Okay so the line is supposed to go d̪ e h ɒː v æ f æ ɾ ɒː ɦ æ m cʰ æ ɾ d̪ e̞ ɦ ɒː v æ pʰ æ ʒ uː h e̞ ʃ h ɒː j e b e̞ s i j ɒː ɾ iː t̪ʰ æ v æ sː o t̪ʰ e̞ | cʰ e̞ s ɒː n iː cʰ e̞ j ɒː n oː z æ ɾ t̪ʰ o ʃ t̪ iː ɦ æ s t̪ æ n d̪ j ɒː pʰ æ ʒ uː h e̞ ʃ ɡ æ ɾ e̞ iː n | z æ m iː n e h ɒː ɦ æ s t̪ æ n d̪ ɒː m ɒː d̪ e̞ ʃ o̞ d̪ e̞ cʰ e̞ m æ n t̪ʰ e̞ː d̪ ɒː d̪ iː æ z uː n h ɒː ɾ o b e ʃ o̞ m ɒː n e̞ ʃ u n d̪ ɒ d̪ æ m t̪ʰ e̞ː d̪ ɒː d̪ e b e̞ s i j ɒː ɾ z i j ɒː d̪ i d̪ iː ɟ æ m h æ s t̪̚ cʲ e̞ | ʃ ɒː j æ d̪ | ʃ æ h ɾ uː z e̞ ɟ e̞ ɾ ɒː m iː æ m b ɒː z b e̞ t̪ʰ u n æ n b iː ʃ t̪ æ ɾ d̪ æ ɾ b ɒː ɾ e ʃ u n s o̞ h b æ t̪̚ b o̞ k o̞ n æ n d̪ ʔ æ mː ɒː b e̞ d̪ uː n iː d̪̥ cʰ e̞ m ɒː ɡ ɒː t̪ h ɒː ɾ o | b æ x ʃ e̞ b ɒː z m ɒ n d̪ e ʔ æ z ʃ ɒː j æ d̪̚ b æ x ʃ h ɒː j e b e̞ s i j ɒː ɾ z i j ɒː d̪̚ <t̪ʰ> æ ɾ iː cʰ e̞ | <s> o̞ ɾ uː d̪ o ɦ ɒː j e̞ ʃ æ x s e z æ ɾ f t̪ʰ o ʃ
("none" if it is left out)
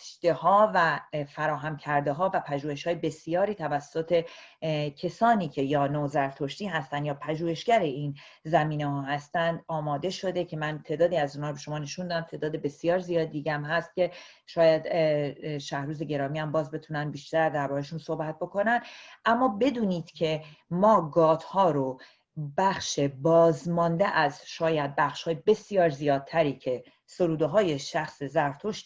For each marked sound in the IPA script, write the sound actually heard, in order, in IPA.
t̪ʰ, s

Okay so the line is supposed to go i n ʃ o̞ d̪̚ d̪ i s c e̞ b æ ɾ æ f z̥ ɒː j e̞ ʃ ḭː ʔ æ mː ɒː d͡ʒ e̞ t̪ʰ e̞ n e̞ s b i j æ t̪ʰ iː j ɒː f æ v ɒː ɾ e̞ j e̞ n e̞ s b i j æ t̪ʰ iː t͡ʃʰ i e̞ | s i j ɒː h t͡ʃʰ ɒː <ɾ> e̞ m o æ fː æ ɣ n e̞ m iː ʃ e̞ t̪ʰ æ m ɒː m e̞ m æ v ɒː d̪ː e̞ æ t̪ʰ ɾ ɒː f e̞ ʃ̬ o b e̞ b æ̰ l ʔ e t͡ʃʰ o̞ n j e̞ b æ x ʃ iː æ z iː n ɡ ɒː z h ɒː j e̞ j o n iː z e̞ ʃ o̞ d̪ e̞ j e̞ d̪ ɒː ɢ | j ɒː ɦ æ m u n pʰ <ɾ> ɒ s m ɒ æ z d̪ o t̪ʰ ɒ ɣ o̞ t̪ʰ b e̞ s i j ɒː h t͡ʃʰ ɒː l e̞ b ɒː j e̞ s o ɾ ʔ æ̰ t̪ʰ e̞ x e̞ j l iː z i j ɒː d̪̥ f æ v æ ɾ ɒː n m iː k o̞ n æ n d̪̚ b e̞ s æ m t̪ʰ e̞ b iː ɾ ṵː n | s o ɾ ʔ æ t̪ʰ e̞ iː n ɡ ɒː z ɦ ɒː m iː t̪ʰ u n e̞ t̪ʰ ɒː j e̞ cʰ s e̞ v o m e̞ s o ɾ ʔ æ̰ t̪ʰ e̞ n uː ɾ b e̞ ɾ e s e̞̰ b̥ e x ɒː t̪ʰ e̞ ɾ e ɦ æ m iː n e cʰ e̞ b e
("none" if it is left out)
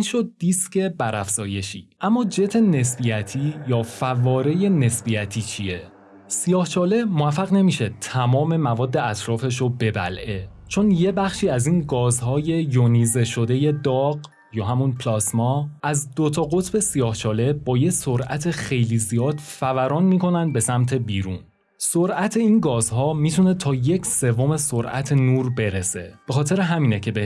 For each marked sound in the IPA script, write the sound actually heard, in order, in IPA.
l, l

